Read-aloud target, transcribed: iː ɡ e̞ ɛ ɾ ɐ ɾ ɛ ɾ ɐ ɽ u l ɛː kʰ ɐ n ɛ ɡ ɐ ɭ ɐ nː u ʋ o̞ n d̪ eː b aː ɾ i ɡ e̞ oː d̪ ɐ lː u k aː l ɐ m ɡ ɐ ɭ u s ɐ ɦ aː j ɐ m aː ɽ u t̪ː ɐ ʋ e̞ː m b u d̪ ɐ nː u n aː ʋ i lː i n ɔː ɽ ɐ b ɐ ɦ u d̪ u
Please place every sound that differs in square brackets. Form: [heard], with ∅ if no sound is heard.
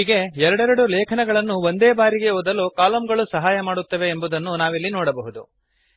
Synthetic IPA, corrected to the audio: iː ɡ e̞ ɛ ɾ ɐ [ɽ] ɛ ɾ ɐ ɽ u l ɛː kʰ ɐ n ɛ ɡ ɐ ɭ ɐ nː u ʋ o̞ n d̪ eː b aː ɾ i ɡ e̞ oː d̪ ɐ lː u k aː l ɐ m ɡ ɐ ɭ u s ɐ ɦ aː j ɐ m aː ɽ u t̪ː ɐ ʋ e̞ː m b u d̪ ɐ nː u n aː ʋ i lː i n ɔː ɽ ɐ b ɐ ɦ u d̪ u